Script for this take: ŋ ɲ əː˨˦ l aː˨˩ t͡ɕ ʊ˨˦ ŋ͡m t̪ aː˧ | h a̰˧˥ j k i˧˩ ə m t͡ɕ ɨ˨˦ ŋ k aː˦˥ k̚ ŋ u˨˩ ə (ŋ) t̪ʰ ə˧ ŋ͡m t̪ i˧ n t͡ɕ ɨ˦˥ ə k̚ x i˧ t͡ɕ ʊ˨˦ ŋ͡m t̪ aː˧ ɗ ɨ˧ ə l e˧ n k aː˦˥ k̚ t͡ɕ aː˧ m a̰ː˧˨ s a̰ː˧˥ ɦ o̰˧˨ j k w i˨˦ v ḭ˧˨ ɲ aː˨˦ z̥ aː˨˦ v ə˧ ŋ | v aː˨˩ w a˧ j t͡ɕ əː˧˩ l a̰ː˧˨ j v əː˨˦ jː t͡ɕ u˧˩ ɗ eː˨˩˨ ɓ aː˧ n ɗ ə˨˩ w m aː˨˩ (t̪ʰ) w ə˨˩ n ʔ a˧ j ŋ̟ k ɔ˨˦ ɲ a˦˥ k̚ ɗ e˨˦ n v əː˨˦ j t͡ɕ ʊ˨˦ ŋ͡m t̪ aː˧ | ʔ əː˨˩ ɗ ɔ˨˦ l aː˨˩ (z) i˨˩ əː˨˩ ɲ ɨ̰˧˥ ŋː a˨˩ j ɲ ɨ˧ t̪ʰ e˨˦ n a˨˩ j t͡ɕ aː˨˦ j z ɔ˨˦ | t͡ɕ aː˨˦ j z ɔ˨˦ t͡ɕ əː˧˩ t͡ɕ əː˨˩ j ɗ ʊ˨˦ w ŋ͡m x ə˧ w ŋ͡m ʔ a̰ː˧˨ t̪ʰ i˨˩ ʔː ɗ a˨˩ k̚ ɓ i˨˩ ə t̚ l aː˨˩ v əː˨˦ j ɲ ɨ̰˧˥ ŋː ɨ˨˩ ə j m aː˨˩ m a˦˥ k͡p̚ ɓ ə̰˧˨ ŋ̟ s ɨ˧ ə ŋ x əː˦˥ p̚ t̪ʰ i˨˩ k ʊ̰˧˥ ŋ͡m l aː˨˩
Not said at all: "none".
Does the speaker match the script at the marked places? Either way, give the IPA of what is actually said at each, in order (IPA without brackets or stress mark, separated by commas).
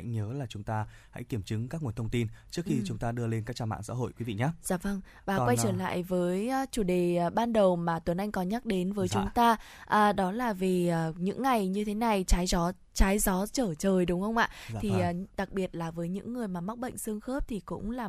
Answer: n, t̪, v